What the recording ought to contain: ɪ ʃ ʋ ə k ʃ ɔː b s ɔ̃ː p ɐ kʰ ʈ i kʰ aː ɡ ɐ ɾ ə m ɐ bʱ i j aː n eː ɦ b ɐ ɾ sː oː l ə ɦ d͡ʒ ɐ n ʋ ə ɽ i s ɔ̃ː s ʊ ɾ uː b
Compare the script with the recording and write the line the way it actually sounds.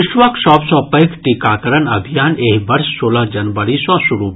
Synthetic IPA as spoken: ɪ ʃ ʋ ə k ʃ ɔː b s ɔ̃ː p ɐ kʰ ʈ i k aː k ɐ ɾ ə n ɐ bʱ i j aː n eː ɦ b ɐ ɾ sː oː l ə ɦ d͡ʒ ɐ n ʋ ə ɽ i s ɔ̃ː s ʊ ɾ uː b